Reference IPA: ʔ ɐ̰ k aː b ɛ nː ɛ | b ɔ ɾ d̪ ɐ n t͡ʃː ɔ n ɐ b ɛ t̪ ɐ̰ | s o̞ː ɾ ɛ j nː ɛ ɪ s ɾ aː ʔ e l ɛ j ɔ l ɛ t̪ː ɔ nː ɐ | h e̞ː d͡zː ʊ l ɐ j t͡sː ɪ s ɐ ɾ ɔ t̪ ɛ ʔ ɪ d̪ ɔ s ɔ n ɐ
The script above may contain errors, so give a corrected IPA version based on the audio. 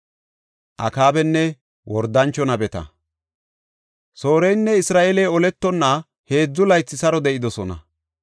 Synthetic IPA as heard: ʔ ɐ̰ k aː b ɛ nː ɛ | w ɔ ɾ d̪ ɐ n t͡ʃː ɔ n ɐ b ɛ t̪ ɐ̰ | s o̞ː ɾ ɛ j nː ɛ ɪ s ɾ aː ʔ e l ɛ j ɔ l ɛ t̪ː ɔ nː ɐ | h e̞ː d͡zː ʊ l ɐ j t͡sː ɪ s ɐ ɾ ɔ d̪ ɛ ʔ ɪ d̪ ɔ s ɔ n ɐ